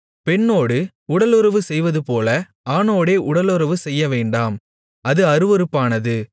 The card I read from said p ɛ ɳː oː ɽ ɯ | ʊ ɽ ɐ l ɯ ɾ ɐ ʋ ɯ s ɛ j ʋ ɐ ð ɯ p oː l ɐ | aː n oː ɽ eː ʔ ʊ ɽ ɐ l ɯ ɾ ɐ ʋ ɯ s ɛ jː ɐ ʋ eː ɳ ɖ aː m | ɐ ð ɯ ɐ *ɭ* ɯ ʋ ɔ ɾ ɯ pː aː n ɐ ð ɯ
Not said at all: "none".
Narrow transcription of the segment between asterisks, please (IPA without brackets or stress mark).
ɾ